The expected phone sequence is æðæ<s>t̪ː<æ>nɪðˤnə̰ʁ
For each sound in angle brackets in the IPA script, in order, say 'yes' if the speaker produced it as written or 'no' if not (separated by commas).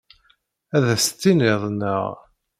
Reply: yes, no